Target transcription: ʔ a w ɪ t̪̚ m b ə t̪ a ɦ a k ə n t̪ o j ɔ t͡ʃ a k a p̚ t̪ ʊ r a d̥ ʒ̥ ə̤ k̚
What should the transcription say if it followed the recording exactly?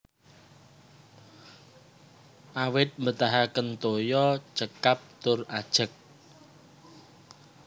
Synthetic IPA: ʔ a w ɪ t̪̚ m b ə t̪ a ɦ a k ə n t̪ o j ɔ t͡ʃ ə k a p̚ t̪ ʊ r a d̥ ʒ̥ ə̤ k̚